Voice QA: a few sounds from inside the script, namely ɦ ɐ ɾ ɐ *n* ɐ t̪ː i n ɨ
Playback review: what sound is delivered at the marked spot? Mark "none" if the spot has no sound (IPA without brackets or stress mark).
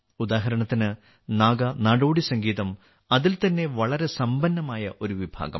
ɳ